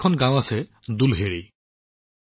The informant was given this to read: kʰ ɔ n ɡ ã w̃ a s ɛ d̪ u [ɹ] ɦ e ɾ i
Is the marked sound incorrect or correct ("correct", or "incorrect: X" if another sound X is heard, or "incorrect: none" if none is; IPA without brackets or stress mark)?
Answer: incorrect: l